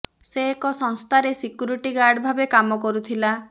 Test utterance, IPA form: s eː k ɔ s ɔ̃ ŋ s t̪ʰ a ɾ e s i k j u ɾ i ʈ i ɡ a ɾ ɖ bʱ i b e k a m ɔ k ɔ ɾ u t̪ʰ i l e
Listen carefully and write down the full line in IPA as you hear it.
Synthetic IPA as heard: s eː k ɔ s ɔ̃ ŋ s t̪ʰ a ɾ e s i k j u ɾ i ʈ i ɡ a ɾ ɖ bʱ a b e k a m ɔ k ɔ ɾ u t̪ʰ i l a